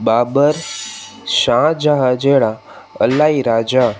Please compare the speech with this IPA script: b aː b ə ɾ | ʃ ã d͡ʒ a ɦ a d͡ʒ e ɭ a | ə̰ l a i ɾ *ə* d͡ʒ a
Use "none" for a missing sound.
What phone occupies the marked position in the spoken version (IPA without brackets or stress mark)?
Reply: a